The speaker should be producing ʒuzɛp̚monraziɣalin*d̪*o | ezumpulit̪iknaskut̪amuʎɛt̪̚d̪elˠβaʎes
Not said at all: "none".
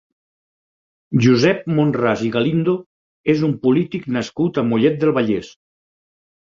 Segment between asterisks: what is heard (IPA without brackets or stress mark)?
d̪